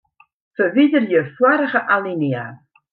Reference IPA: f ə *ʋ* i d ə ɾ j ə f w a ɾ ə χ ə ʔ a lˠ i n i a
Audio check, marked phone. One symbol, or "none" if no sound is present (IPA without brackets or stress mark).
v